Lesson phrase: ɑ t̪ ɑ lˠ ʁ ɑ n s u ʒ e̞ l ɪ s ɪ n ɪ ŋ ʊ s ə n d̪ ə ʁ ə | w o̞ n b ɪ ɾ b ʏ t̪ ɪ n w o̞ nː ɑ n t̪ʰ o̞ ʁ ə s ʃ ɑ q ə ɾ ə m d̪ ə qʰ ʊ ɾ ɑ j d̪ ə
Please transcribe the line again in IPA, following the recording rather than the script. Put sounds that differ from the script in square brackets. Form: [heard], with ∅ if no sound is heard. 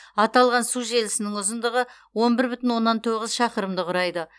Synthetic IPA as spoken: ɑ t̪ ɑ lˠ ʁ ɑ n s u ʒ e̞ l ɪ s ɪ n ɪ ŋ ʊ [z] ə n d̪ ə ʁ ə | w o̞ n b ɪ ɾ b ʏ t̪ ɪ n w o̞ nː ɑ n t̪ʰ o̞ ʁ ə [z] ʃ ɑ q ə ɾ ə m d̪ ə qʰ ʊ ɾ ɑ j d̪ ə